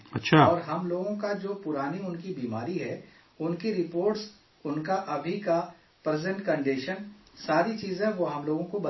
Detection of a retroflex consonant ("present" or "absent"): present